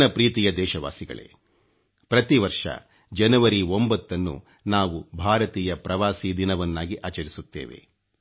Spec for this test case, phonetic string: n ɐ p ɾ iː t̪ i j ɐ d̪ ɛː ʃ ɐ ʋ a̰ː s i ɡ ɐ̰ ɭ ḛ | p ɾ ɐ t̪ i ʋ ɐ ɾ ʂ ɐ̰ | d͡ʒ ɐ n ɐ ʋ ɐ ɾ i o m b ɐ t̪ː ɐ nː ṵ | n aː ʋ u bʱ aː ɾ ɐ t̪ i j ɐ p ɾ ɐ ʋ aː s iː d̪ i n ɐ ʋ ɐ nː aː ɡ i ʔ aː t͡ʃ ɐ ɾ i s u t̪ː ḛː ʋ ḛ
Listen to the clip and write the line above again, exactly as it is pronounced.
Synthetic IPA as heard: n ɐ p ɾ iː t̪ i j ɐ d̪ ɛː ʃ ɐ ʋ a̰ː s i ɡ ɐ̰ ɭ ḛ | p ɾ ɐ t̪ i ʋ ɐ ɾ ʂ ɐ̰ | d͡ʒ ɐ n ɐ ʋ ɐ ɾ i o m b ɐ t̪ː ɐ nː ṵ | n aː ʋ u bʱ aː ɾ ɐ t̪ iː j ɐ p ɾ ɐ ʋ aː s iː d̪ i n ɐ ʋ ɐ nː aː ɡ i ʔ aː t͡ʃ ɐ ɾ i s u t̪ː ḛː ʋ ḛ